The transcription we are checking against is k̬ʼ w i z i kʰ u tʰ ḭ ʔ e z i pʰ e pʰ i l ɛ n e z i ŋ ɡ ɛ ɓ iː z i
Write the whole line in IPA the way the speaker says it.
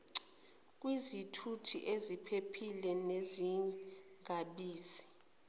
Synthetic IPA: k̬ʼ w i z i tʰ u tʰ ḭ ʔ e z i pʰ e pʰ i l ɛ n e z i ŋ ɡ a ɓ iː z i